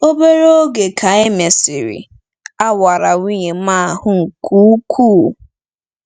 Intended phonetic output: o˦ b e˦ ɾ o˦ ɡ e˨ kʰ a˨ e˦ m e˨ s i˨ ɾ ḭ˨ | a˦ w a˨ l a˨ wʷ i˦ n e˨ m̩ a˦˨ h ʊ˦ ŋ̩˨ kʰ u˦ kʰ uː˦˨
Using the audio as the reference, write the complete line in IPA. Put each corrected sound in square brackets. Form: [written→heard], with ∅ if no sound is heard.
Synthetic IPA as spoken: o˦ b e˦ ɾ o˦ ɡ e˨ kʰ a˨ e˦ m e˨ s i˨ ɾ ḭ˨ | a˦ w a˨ [l→ɾ] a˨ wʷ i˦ [n→ɲ] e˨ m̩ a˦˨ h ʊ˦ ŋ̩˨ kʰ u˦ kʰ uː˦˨